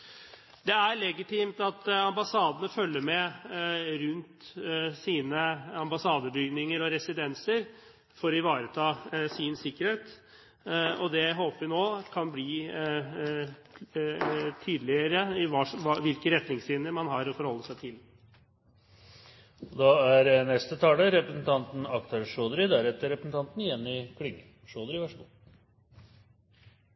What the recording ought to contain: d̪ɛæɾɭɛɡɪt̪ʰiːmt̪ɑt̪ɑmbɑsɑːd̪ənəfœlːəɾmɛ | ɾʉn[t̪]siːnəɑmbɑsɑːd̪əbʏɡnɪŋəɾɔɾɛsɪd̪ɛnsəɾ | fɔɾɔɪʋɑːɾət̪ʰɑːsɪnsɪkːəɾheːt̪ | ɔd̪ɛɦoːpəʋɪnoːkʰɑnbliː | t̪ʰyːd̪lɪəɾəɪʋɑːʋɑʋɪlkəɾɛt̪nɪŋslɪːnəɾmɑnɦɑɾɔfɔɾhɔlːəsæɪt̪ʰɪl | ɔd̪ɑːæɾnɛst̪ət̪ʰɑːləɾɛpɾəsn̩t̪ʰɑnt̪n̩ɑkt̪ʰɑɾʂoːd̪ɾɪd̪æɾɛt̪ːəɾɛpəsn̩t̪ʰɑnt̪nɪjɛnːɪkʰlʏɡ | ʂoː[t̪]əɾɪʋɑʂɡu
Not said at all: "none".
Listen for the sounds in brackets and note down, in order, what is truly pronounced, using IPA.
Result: t̪, d̪

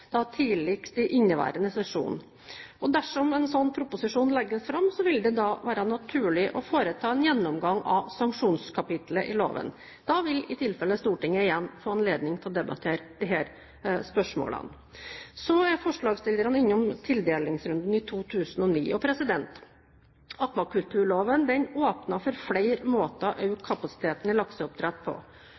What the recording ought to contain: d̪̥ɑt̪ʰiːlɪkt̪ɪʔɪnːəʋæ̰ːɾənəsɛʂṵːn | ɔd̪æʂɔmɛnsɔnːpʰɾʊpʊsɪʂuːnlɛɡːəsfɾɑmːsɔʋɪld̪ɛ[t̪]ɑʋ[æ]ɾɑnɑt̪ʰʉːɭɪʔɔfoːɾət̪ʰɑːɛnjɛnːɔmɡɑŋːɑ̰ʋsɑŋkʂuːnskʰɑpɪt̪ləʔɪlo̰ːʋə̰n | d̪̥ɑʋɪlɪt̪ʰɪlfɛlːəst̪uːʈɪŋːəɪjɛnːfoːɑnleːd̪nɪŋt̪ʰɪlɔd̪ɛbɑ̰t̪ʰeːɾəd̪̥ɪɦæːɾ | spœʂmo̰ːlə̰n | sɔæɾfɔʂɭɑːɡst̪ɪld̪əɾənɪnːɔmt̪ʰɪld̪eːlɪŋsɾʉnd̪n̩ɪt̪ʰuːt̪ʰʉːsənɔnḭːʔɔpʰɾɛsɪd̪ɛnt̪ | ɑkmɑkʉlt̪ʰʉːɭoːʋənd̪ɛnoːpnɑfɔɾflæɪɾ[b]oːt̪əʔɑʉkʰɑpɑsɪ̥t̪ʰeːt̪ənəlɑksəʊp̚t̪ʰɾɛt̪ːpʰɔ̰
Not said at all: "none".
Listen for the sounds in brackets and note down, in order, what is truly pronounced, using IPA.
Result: d̪, æː, m

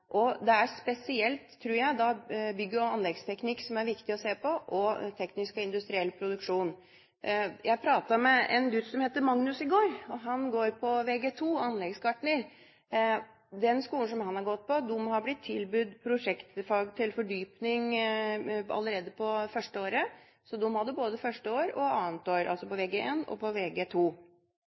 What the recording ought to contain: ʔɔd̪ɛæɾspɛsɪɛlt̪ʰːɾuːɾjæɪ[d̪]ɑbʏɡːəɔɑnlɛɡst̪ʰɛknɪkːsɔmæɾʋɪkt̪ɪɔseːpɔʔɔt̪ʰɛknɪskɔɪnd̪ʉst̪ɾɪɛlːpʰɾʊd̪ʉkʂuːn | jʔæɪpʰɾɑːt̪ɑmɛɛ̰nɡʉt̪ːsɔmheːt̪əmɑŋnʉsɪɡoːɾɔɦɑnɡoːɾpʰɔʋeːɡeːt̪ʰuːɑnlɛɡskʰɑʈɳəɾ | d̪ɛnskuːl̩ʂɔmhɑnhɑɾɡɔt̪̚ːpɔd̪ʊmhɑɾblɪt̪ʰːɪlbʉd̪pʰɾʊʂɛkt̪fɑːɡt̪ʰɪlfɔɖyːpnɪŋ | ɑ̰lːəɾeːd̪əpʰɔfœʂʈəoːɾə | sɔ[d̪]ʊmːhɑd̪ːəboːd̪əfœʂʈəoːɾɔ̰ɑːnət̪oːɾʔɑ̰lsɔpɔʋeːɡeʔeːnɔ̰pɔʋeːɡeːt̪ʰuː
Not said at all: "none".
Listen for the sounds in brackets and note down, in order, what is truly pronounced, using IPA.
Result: d̪, d̪

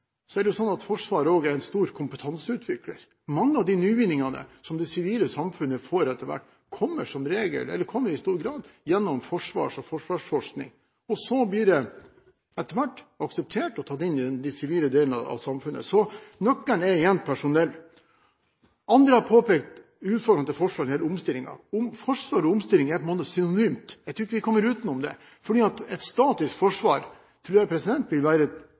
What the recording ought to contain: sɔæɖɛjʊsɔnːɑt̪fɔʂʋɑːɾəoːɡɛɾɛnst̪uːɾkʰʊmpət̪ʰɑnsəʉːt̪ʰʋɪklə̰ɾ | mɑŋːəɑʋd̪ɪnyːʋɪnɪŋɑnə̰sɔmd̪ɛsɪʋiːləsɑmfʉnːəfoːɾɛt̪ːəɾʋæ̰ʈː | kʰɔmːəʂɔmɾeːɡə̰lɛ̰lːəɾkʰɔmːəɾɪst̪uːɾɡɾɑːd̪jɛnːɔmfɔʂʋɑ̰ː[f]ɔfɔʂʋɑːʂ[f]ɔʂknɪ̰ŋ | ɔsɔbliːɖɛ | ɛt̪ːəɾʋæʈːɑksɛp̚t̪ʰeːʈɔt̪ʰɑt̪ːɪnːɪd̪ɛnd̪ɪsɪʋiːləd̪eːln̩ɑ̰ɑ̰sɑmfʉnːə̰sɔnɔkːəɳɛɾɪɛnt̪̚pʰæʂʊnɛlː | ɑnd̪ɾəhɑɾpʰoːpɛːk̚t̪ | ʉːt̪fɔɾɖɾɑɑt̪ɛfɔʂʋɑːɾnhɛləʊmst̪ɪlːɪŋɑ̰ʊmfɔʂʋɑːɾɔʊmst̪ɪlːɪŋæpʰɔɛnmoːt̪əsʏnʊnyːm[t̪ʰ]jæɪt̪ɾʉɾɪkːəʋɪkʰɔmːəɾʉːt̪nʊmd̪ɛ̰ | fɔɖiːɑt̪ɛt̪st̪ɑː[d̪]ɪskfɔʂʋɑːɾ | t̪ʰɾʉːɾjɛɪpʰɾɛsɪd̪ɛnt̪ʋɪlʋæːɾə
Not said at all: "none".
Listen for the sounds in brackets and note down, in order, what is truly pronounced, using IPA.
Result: ʂ, f, t̪, t̪

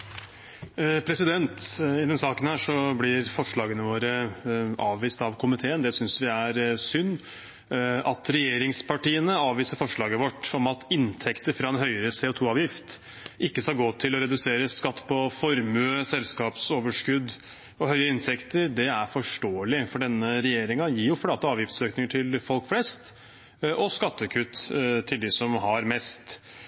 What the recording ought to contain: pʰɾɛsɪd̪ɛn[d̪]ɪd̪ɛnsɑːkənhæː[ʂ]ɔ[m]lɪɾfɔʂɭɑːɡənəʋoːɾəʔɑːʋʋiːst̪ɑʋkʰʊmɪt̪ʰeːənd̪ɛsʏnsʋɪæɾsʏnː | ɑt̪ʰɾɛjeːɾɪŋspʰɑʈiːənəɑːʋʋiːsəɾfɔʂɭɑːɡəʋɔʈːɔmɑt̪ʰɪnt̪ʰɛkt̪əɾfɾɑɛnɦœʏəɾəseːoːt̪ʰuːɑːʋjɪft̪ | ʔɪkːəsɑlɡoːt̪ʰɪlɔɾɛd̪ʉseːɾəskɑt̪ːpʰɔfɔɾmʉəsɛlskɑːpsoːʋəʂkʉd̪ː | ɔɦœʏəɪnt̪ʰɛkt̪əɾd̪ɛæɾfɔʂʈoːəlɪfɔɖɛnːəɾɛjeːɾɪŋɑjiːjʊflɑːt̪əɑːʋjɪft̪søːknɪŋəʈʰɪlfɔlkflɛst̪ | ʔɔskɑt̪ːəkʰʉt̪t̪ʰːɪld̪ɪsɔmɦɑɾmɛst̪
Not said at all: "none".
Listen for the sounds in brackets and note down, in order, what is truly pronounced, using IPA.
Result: t̪, ʂ, b

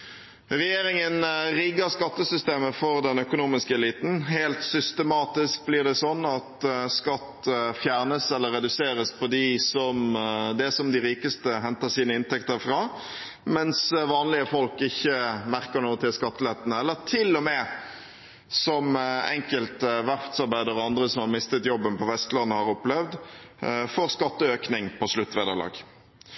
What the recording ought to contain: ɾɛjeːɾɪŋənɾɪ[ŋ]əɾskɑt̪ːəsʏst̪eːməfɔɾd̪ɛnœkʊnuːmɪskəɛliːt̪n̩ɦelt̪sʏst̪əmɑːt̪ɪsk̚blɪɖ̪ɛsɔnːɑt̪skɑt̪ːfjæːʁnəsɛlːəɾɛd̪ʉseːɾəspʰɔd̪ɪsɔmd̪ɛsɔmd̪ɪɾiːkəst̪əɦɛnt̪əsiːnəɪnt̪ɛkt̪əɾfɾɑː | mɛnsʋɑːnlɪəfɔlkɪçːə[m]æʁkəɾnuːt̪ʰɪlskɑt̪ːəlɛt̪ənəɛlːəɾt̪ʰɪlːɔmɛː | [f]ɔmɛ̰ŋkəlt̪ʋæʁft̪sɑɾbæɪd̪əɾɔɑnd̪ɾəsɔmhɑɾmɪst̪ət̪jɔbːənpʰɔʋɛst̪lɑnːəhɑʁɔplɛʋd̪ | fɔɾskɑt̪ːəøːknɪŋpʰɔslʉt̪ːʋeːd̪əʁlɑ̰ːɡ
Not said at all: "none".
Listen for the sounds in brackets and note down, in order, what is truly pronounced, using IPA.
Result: ɡ, m, s

